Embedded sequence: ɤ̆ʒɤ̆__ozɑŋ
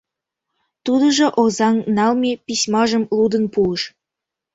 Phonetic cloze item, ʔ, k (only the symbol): ʔ